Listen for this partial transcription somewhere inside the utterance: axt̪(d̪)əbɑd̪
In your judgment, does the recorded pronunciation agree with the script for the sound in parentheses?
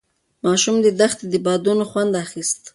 yes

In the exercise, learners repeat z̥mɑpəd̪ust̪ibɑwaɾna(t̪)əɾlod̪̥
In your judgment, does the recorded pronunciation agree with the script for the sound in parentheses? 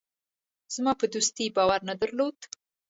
no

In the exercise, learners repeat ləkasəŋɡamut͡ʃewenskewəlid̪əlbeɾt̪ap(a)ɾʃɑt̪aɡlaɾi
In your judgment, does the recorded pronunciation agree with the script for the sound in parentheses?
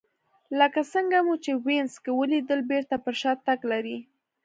no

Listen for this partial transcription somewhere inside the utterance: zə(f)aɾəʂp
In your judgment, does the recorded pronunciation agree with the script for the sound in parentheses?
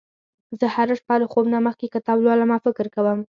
no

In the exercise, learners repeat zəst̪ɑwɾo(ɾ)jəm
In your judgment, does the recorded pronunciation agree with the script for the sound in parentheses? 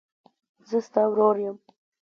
yes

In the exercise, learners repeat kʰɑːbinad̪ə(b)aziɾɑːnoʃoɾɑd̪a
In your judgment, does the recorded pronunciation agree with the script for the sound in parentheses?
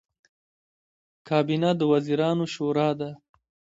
no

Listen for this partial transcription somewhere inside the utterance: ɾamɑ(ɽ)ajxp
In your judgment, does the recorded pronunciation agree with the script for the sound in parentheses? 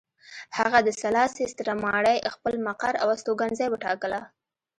yes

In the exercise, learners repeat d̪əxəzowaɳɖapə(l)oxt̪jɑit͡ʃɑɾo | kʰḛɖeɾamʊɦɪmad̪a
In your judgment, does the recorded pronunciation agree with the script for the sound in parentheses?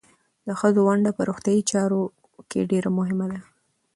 no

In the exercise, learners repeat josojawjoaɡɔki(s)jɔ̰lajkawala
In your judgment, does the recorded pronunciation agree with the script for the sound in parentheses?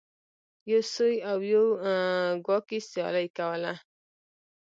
yes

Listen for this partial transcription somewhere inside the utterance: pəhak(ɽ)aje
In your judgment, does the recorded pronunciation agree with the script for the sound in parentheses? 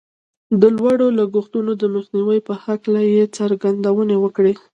no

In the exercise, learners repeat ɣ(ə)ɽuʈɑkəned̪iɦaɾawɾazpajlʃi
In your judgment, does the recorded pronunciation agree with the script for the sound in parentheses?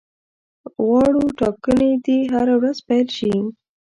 no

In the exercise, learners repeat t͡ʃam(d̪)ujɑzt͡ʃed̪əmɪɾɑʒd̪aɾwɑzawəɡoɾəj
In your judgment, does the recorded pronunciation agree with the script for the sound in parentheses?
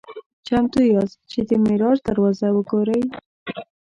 no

